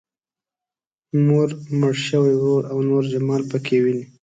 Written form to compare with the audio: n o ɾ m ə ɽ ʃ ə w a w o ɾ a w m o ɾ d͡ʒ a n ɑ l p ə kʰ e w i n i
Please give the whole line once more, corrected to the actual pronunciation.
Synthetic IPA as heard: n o ɾ m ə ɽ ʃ ə w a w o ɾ a w n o ɾ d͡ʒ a m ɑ l p ə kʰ e w i n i